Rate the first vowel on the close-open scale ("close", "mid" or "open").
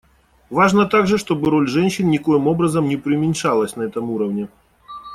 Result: open